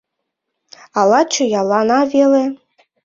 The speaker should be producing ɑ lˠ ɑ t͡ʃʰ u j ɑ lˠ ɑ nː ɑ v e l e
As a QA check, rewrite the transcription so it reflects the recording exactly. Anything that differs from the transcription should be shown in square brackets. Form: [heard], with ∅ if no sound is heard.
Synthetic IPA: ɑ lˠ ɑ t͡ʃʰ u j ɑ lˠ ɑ [n] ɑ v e l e